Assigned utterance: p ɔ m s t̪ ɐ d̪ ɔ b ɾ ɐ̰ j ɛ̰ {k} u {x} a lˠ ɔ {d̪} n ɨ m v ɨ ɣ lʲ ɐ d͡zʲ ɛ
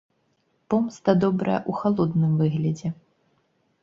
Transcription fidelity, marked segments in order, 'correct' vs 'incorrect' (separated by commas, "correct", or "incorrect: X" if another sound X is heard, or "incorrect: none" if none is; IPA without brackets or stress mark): incorrect: ʔ, correct, correct